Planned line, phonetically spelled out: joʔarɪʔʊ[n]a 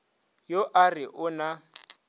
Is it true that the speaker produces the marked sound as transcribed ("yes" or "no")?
yes